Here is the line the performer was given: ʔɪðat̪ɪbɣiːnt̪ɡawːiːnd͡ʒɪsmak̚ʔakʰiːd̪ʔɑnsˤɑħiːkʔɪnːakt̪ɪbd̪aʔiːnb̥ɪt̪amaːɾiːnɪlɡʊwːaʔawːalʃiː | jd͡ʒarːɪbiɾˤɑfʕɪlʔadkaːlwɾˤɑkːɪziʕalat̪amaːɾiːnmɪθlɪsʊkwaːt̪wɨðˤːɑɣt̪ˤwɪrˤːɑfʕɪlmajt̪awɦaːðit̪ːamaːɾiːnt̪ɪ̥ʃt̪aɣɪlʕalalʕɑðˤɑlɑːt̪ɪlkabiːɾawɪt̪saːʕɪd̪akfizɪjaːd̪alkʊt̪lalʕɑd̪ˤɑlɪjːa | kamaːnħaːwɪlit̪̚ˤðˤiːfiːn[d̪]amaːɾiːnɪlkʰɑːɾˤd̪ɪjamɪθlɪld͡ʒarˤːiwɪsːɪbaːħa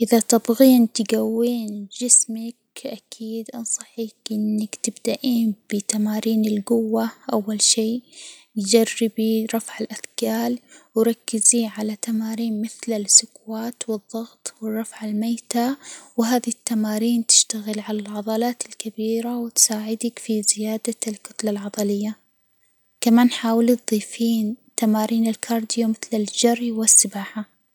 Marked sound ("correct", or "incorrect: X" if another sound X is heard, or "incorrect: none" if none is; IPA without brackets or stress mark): incorrect: t̪